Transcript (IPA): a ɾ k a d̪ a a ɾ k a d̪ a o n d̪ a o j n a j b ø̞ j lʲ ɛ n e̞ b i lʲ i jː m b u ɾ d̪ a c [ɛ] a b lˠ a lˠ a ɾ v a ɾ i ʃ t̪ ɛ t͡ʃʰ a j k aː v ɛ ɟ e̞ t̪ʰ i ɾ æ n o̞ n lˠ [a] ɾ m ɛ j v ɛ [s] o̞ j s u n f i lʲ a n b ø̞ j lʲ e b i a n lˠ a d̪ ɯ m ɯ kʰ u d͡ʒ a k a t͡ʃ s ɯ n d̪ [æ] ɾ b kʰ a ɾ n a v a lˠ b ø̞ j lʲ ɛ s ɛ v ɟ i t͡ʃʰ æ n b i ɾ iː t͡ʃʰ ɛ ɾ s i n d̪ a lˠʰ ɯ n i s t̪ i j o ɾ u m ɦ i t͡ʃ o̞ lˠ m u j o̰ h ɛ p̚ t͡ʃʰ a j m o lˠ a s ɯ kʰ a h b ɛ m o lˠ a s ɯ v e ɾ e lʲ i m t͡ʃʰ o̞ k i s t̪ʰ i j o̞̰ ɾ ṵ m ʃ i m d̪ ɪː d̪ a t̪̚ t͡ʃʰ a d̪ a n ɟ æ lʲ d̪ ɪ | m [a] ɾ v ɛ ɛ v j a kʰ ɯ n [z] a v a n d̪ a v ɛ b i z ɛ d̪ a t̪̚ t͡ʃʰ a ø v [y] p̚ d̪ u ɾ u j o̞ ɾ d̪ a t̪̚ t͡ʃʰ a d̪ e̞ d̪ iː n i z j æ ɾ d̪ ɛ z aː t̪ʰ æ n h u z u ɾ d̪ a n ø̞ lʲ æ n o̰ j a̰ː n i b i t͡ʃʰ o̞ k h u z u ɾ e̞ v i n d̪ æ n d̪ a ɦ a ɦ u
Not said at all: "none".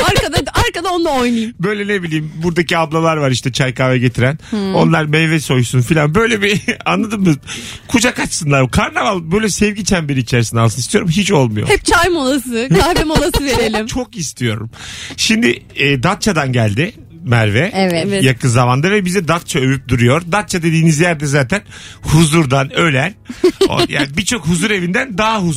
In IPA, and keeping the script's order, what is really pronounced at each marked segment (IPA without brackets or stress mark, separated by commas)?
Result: i, a, s, a, æ, z, y